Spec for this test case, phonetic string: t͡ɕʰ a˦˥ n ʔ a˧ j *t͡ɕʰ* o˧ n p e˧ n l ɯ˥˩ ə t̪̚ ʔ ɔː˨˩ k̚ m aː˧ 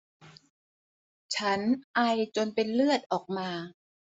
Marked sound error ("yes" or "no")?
yes